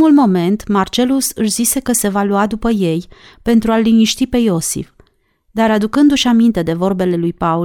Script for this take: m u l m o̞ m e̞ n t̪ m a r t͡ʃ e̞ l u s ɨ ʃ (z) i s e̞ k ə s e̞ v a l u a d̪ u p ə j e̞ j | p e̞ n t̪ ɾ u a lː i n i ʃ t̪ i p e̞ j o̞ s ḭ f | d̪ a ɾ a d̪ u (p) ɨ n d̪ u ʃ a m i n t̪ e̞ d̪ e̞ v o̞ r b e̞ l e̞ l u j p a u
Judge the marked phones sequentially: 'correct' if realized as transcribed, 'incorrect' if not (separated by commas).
correct, incorrect